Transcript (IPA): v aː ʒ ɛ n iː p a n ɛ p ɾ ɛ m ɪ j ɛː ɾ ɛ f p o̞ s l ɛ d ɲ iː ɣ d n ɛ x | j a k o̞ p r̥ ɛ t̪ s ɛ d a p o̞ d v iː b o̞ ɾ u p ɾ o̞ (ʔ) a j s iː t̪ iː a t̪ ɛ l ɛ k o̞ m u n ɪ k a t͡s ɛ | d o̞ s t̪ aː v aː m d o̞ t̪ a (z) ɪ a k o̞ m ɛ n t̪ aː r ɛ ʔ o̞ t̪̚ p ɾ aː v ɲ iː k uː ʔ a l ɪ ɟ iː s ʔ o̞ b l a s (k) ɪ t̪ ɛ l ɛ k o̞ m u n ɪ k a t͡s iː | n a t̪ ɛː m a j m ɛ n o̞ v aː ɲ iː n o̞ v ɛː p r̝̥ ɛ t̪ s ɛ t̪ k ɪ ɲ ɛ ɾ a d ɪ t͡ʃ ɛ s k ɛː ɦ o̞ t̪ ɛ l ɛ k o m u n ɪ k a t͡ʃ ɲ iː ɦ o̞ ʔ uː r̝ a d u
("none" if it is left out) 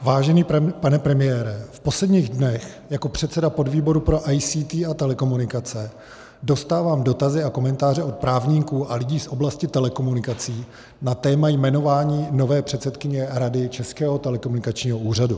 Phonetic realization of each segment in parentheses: ʔ, z, c

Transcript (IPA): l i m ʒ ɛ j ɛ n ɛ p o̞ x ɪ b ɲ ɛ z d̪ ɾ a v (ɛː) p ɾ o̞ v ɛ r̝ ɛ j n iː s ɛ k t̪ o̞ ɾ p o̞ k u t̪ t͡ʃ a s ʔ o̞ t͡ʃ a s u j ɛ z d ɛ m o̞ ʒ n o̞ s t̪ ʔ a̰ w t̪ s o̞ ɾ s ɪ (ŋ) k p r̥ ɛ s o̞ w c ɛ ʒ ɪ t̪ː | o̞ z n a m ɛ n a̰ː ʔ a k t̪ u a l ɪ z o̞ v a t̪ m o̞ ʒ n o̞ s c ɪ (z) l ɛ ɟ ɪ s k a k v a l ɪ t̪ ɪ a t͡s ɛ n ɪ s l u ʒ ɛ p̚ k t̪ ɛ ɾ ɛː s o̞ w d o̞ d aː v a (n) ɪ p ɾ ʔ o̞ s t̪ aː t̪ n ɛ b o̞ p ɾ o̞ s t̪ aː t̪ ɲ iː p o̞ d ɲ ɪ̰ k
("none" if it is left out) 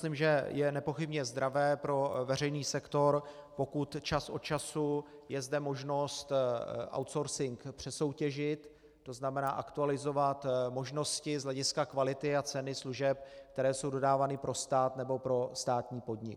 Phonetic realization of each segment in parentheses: ɛː, ŋ, z, n

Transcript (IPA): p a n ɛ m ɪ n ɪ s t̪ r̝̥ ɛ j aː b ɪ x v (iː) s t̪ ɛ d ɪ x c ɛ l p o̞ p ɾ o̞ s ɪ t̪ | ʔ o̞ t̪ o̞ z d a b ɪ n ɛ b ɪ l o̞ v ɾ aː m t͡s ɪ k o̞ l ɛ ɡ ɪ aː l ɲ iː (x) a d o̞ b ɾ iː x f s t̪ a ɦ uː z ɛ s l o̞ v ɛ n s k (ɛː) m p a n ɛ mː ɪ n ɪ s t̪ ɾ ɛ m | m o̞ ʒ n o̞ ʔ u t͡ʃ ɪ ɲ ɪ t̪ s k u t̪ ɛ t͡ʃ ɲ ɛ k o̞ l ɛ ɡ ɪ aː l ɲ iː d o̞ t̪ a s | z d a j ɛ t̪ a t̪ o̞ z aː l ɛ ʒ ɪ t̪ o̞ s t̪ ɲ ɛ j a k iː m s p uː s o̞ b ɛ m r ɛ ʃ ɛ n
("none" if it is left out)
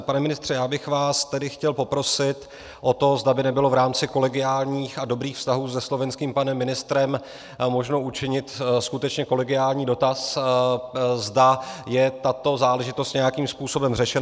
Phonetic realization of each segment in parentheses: aː, x, iː

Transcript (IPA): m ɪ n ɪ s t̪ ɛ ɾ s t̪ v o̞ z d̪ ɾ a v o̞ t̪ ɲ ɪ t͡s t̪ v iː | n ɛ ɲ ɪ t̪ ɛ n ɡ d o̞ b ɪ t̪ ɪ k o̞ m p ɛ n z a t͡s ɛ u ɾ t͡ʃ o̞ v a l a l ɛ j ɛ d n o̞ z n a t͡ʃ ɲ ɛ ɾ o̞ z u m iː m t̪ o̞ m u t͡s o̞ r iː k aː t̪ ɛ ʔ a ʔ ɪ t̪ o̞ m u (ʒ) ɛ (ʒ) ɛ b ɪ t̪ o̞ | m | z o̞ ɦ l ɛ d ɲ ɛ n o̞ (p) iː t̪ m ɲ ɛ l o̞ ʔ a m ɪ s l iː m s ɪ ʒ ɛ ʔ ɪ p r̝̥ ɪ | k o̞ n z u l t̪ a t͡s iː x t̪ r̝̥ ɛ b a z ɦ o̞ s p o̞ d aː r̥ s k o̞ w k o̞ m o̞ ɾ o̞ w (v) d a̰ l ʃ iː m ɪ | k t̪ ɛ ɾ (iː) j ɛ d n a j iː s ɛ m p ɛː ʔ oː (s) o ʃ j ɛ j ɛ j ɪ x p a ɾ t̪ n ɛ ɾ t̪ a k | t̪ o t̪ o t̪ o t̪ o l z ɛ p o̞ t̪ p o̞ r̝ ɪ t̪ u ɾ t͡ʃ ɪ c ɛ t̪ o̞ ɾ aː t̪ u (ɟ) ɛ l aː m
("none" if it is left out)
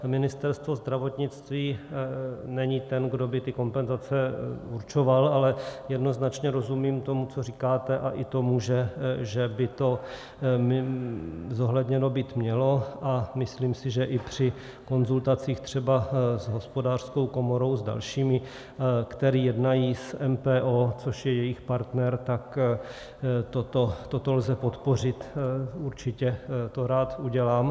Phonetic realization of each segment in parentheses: ʒ, ʒ, b, z, iː, t͡s, ɟ

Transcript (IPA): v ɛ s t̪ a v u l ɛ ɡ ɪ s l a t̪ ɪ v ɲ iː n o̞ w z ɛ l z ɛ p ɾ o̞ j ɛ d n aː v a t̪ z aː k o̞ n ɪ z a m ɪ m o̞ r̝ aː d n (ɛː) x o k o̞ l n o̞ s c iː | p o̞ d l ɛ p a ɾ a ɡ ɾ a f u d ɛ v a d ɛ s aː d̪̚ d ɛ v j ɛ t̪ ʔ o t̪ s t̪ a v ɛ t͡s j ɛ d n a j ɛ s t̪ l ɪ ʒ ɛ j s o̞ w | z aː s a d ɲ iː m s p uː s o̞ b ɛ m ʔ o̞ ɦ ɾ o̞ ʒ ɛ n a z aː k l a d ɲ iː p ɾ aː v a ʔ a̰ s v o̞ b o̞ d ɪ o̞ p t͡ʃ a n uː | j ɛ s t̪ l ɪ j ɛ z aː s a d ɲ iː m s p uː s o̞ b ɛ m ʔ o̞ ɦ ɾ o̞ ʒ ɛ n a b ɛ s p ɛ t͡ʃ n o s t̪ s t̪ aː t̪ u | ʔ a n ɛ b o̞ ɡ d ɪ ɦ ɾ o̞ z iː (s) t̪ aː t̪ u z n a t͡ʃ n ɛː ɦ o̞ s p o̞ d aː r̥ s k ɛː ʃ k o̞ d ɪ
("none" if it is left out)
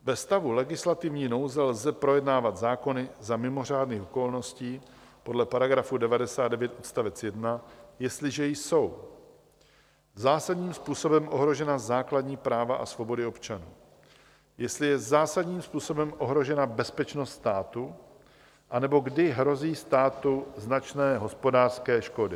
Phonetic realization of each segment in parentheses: iː, s

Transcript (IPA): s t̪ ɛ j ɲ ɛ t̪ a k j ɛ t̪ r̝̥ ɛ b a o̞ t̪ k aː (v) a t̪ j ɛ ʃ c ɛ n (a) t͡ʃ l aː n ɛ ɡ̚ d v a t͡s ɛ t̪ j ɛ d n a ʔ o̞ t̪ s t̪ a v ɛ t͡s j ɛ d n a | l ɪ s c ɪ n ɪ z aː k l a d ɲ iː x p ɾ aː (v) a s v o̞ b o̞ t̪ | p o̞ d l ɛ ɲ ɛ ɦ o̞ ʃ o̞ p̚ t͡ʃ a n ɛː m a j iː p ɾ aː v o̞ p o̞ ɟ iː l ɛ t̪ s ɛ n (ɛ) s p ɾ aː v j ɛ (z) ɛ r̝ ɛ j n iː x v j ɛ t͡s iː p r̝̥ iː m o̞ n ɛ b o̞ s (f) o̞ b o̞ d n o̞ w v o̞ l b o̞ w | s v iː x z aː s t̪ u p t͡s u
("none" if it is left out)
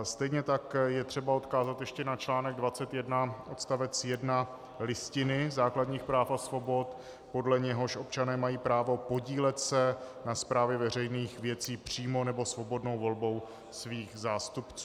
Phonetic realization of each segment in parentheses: z, a, f, a, v, v

